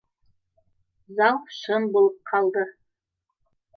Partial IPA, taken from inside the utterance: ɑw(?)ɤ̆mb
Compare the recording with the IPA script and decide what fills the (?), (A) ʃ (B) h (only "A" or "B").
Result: A